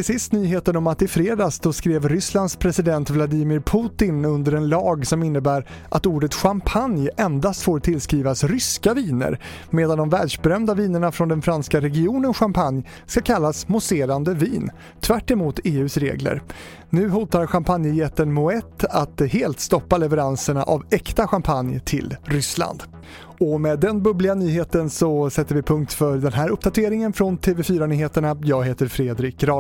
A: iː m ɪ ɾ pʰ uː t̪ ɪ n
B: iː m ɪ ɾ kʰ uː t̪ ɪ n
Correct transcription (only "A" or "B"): A